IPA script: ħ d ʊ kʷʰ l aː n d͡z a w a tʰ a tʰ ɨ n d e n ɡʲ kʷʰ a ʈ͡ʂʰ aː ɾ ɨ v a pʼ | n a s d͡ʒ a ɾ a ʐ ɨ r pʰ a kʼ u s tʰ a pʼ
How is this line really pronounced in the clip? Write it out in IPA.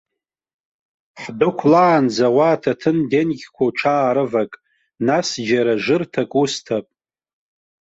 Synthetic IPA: ħ d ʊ kʷʰ l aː n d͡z a w a tʰ a tʰ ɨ n d e n ɡʲ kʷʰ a ʈ͡ʂʰ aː ɾ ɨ v a kʼ | n a s d͡ʒ a ɾ a ʐ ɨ r tʰ a kʼ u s tʰ a pʼ